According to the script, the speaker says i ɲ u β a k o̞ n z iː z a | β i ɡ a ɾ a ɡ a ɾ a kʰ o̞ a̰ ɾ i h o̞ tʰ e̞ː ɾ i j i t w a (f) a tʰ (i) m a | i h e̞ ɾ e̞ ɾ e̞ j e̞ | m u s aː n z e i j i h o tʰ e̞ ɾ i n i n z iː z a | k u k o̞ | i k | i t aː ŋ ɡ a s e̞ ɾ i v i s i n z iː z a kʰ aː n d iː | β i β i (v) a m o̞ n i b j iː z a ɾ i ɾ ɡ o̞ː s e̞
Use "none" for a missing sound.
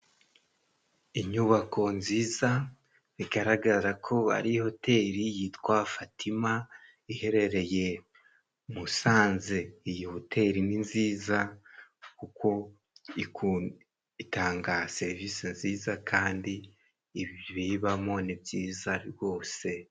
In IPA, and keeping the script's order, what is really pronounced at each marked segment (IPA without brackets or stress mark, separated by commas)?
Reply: f, i, β